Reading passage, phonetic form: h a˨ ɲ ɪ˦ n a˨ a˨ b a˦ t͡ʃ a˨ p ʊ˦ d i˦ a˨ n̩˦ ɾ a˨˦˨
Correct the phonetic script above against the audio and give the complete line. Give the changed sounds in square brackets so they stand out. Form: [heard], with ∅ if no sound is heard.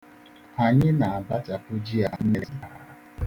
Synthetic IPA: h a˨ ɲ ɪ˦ n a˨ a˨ b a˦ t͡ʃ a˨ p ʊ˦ [d͡ʒ] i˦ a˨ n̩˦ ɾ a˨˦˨